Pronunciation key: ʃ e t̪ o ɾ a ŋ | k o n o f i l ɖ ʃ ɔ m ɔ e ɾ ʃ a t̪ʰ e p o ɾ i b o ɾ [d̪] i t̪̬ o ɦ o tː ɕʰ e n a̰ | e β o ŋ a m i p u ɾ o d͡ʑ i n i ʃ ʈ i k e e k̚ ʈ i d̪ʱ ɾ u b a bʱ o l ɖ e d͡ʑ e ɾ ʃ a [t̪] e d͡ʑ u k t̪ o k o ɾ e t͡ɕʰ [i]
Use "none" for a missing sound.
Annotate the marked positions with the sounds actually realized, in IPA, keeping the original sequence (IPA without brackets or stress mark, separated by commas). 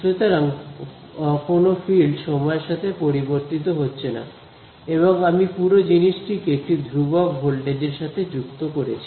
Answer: t̪, t̪ʰ, i